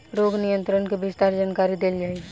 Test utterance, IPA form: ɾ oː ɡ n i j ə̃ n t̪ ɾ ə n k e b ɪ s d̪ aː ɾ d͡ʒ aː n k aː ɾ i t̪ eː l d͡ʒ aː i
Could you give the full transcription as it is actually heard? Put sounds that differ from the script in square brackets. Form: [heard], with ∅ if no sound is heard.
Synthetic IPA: ɾ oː ɡ n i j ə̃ n t̪ ɾ ə n k e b ɪ s [t̪] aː ɾ d͡ʒ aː n k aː ɾ i [d̪] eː l d͡ʒ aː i